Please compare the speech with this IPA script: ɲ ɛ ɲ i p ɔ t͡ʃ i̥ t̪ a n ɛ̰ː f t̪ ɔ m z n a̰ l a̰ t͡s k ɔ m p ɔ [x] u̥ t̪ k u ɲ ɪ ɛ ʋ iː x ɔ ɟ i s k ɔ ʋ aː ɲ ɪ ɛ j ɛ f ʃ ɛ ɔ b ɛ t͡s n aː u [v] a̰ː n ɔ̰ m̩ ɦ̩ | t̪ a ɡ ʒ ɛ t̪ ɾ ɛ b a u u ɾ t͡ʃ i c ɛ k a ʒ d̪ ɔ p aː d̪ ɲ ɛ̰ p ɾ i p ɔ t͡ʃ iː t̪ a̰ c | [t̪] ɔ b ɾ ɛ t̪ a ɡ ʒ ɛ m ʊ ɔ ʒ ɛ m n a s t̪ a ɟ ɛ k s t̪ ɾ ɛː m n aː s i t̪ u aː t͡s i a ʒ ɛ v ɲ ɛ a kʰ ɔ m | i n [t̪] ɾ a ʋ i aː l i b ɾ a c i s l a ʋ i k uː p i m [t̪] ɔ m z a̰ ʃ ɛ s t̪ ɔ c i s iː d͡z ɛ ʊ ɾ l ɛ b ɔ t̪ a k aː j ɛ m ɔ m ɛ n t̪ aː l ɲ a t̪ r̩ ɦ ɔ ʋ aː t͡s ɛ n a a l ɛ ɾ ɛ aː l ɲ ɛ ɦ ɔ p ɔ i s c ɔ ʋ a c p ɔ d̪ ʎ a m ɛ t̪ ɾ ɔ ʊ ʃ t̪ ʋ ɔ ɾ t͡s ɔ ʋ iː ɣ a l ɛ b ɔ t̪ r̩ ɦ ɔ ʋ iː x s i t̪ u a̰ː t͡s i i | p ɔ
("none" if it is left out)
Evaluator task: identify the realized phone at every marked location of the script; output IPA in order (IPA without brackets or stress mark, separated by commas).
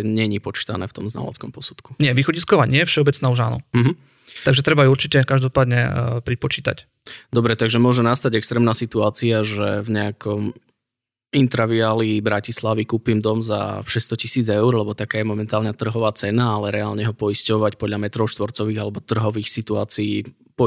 s, ʒ, d̪, t̪, d̪